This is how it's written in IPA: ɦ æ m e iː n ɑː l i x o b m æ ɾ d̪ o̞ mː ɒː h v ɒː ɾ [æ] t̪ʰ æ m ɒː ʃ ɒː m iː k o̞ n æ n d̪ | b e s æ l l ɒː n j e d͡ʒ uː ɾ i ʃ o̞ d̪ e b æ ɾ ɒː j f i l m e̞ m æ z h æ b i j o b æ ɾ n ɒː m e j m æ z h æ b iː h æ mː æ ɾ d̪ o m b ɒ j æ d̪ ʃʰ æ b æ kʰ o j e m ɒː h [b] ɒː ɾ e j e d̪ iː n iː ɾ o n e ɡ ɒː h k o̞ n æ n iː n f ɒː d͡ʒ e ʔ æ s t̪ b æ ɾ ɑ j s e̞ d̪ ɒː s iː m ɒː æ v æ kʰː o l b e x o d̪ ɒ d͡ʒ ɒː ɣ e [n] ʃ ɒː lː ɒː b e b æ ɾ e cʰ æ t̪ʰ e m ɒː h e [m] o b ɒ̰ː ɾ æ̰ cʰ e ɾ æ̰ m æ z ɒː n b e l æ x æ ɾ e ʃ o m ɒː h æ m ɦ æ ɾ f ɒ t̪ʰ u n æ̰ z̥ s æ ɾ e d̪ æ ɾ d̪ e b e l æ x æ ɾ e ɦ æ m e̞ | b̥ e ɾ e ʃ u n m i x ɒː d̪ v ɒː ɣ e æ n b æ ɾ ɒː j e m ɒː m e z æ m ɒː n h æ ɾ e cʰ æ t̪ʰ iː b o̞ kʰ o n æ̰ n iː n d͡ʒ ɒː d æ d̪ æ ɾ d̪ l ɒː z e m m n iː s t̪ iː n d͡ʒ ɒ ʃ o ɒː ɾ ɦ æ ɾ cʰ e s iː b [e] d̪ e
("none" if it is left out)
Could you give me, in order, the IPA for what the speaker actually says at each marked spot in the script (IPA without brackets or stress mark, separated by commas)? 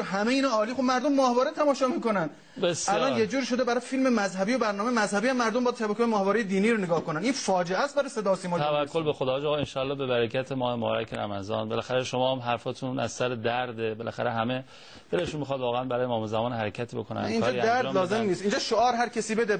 e, v, n, m, e